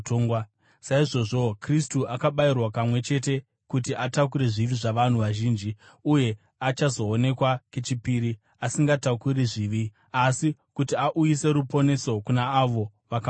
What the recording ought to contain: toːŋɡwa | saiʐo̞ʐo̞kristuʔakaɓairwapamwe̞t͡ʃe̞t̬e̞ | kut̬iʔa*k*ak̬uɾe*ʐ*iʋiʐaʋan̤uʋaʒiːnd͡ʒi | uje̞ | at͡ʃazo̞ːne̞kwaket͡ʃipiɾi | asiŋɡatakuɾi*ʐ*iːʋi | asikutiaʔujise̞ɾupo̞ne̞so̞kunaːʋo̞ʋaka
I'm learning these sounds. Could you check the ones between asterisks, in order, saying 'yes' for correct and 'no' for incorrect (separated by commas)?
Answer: no, yes, yes